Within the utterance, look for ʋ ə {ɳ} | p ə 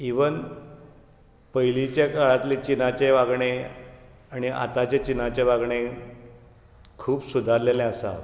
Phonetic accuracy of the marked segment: incorrect: n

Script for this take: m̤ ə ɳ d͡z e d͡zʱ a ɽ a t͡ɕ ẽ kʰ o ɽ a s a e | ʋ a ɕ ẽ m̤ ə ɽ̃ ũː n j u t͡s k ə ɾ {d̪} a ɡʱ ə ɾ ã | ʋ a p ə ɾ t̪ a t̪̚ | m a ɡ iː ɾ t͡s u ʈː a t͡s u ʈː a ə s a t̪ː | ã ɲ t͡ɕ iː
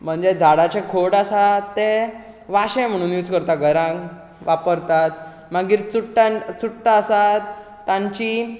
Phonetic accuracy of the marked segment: incorrect: t̪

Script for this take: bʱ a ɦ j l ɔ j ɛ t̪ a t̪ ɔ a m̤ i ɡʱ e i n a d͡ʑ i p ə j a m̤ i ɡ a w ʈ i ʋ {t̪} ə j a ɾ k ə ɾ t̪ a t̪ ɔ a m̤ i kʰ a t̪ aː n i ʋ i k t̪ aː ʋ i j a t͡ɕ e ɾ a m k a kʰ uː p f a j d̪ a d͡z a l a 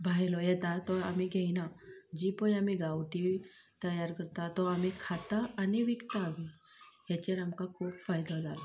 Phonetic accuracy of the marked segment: correct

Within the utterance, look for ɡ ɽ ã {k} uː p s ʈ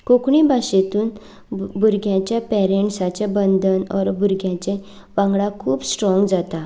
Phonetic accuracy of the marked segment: incorrect: kʰ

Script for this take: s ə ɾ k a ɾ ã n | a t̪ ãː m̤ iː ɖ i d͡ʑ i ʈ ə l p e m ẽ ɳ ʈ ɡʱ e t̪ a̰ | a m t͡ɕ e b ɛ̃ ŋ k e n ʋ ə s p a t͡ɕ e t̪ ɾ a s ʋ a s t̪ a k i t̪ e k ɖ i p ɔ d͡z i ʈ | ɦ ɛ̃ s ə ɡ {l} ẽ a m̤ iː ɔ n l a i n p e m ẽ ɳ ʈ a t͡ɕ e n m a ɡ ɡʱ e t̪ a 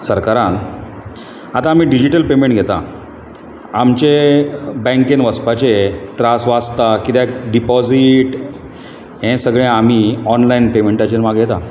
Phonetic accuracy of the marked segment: incorrect: ɭ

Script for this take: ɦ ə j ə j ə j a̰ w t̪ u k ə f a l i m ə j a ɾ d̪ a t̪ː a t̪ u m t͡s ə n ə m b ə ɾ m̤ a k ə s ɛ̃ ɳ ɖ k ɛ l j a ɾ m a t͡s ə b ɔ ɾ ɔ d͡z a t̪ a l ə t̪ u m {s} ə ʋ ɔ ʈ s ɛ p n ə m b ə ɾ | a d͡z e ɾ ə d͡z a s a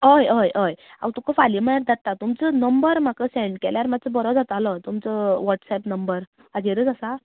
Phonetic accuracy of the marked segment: incorrect: t͡s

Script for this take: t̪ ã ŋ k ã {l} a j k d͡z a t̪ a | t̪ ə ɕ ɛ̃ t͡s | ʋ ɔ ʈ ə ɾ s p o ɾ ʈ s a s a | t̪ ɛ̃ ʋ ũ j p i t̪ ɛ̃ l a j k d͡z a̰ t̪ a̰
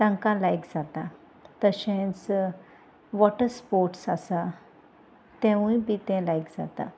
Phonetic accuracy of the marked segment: correct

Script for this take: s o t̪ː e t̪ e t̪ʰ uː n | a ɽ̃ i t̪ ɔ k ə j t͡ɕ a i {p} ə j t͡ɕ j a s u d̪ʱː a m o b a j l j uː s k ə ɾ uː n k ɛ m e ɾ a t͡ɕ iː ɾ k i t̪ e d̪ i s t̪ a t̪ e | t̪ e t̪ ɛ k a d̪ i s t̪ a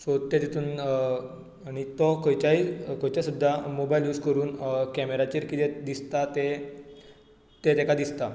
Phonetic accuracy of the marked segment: incorrect: k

